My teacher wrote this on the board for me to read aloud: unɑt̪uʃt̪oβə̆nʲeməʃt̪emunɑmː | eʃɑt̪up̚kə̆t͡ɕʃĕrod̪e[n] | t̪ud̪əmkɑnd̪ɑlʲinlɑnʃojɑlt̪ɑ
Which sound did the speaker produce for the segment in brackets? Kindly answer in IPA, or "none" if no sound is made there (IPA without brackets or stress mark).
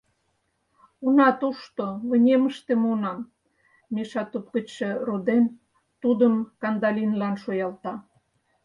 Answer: n